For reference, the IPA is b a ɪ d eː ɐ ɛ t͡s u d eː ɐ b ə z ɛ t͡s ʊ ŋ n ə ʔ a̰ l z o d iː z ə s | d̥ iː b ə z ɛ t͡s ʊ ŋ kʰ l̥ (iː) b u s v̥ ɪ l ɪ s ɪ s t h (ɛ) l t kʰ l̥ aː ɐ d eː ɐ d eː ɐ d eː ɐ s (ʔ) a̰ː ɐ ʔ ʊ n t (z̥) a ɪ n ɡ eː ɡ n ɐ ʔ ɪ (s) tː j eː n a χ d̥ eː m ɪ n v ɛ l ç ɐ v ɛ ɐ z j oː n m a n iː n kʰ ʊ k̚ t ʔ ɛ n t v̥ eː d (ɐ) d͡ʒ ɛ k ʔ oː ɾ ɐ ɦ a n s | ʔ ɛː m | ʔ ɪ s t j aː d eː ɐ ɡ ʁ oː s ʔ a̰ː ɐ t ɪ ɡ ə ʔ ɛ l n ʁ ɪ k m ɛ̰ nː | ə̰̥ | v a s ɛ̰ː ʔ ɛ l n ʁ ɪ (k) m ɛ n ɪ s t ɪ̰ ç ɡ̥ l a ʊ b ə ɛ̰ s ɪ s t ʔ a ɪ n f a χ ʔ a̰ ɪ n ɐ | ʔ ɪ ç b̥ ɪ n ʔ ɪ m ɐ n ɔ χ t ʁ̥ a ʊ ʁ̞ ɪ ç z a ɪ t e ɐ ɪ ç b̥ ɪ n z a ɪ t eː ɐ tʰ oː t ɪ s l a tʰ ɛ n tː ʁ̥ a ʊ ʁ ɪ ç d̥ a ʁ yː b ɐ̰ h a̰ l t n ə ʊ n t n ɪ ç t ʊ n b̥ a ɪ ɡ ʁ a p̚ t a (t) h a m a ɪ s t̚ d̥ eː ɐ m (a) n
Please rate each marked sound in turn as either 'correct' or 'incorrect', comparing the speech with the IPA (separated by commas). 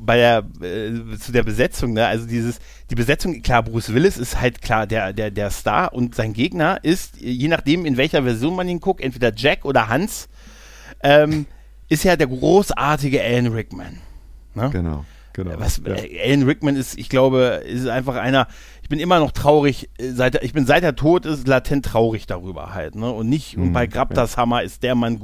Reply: incorrect, incorrect, incorrect, correct, correct, correct, correct, incorrect, correct